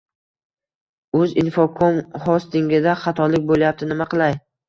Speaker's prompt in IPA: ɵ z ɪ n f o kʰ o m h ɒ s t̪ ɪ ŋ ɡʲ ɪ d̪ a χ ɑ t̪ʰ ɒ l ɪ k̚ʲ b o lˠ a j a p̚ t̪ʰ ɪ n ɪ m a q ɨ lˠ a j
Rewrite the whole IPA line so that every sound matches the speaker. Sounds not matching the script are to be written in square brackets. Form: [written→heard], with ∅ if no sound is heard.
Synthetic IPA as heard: ɵ z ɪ n f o kʰ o m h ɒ s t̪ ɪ ŋ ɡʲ ɪ d̪ a χ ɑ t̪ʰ ɒ l ɪ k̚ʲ b o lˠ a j a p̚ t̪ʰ ɪ n ɪ m a q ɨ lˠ a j